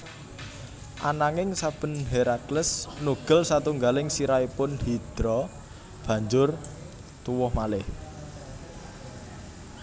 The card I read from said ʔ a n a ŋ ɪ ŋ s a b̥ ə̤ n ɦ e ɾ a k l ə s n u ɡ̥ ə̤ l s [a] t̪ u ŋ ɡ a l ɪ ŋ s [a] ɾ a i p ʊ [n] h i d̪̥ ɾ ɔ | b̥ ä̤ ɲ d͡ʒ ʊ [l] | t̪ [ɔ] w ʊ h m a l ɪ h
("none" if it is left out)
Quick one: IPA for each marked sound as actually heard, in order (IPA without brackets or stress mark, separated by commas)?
a, i, n, r, u